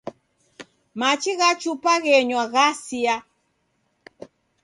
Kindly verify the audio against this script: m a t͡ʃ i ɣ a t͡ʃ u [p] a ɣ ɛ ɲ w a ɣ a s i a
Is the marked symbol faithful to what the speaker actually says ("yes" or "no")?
yes